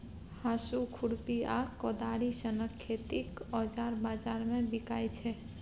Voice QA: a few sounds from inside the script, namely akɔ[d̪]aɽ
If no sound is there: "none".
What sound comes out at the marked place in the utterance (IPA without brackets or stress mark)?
d̪